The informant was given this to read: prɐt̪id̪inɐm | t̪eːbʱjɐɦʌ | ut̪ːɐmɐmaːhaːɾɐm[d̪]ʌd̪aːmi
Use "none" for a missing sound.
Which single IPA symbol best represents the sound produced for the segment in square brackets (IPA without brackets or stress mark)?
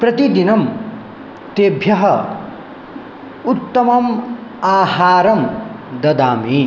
d̪